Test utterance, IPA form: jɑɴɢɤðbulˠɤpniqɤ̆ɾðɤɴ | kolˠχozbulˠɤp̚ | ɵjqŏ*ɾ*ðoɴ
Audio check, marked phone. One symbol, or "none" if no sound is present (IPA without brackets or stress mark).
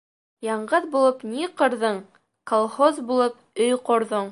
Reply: ɾ